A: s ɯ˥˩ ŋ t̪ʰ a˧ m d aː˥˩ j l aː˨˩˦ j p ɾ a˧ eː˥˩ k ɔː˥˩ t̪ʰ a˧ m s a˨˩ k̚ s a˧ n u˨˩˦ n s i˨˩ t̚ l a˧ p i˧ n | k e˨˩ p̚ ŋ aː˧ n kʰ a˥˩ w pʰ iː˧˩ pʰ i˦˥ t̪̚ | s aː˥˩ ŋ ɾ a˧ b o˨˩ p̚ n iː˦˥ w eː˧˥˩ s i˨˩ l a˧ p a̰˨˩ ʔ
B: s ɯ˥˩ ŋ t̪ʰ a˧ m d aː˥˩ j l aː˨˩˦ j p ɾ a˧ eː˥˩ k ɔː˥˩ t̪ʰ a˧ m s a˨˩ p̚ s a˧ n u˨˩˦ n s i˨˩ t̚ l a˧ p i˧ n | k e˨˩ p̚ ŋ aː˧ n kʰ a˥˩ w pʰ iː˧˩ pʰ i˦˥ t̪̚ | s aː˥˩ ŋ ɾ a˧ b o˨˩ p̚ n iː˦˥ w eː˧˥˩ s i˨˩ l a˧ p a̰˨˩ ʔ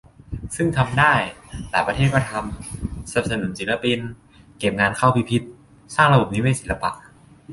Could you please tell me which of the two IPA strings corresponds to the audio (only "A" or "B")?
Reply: B